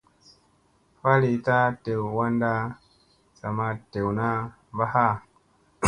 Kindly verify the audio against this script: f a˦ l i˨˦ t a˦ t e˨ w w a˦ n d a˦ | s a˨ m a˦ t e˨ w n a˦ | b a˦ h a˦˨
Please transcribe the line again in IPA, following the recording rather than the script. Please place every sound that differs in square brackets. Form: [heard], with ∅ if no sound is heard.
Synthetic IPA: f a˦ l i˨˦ t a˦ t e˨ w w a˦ n d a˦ | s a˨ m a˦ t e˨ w n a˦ | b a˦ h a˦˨